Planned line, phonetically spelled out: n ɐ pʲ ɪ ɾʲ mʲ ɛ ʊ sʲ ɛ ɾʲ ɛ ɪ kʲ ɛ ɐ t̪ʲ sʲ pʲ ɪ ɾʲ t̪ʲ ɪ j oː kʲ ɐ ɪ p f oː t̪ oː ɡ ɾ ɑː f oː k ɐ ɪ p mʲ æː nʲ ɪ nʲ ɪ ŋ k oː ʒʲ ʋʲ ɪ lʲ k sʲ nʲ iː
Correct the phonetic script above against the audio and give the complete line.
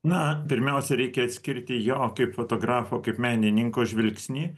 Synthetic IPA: n ɐ pʲ ɪ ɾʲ mʲ ɛ ʊ sʲ ɛ ɾʲ ɛ ɪ kʲ ɛ ɐ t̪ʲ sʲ kʲ ɪ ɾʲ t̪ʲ ɪ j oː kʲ ɐ ɪ p f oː t̪ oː ɡ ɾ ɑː f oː k ɐ ɪ p mʲ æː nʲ ɪ nʲ ɪ ŋ k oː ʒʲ ʋʲ ɪ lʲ k sʲ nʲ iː